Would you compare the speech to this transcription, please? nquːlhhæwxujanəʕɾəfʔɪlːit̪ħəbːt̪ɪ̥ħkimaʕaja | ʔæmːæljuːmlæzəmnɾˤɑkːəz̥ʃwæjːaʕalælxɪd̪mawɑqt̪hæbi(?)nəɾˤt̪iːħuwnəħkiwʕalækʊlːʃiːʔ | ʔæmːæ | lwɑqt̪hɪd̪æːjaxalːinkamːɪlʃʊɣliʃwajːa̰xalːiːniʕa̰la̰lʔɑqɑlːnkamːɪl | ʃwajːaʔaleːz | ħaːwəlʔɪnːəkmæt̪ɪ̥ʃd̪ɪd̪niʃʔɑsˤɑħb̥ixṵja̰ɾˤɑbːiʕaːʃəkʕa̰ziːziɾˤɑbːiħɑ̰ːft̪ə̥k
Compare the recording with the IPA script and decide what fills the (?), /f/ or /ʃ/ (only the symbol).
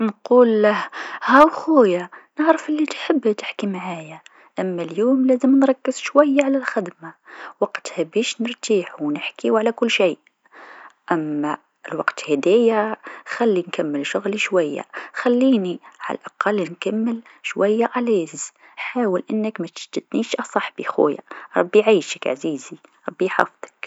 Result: ʃ